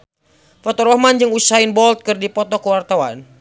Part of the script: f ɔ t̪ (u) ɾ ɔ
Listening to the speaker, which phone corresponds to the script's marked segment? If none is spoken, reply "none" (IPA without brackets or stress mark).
ɔ